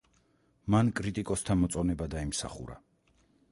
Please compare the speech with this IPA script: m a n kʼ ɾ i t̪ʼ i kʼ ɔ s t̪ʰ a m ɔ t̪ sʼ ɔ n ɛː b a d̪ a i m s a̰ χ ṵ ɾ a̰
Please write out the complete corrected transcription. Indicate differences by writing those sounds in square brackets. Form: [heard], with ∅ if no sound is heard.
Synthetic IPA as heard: m a n kʼ ɾ i t̪ʼ i kʼ ɔ s t̪ʰ a m ɔ t̪ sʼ ɔ n [ɛ] b a d̪ a i m s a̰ χ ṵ ɾ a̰